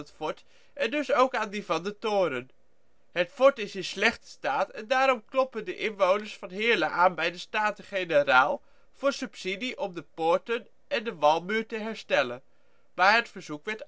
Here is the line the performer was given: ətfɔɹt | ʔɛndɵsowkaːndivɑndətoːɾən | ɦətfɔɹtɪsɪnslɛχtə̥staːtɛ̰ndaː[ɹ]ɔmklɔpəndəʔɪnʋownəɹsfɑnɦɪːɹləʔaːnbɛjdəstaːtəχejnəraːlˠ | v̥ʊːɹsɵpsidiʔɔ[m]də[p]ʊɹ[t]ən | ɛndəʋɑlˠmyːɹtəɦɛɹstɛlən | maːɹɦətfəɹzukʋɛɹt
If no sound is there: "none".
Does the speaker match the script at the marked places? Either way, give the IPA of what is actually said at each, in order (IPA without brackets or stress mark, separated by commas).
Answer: ɾ, m, p, t